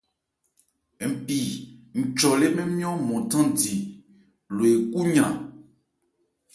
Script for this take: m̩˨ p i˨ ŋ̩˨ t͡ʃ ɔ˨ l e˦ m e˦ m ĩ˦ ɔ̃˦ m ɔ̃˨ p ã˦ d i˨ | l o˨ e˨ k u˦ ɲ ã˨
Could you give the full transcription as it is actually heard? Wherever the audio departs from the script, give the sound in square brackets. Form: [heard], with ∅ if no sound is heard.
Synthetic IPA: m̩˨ p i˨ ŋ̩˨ t͡ʃ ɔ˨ l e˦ m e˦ m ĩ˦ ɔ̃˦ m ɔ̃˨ [t] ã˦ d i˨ | l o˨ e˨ k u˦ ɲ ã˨